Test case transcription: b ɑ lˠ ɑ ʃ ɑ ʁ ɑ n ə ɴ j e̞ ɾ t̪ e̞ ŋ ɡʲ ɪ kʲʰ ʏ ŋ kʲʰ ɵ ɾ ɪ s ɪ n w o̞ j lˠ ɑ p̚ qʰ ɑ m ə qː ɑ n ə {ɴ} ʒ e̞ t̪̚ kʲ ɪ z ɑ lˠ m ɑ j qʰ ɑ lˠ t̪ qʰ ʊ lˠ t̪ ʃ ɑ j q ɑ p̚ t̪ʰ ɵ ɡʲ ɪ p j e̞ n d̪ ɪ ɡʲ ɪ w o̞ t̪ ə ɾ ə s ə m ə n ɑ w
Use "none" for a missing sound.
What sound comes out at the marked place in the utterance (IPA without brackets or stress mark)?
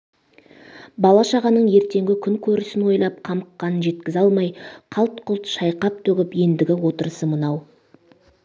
n